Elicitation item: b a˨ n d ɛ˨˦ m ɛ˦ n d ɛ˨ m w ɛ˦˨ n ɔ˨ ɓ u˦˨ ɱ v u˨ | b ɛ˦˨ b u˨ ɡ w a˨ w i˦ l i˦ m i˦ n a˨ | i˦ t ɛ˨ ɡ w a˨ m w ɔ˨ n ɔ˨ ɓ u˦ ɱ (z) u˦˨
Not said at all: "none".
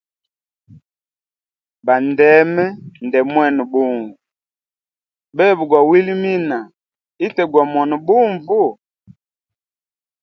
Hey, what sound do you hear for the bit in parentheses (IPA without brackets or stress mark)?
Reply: v